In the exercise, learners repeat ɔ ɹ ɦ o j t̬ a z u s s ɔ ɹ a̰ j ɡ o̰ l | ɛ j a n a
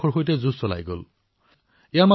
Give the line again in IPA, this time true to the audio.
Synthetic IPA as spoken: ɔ ɹ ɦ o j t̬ ɛ z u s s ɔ l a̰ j ɡ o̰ l | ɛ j a m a